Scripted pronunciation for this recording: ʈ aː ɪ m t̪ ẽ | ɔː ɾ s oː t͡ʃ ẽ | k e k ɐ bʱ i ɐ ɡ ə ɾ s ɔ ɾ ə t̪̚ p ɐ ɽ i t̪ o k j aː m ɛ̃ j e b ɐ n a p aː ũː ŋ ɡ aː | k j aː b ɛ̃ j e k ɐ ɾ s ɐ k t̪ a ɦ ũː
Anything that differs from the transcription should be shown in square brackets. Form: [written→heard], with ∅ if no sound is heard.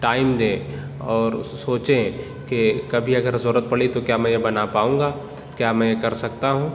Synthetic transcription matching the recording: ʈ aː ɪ m [t̪→d̪] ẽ | ɔː ɾ s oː t͡ʃ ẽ | k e k ɐ bʱ i ɐ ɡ ə ɾ [s→z] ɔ ɾ ə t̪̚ p ɐ ɽ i t̪ o k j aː m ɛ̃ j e b ɐ n a p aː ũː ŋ ɡ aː | k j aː [b→m] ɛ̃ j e k ɐ ɾ s ɐ k t̪ a ɦ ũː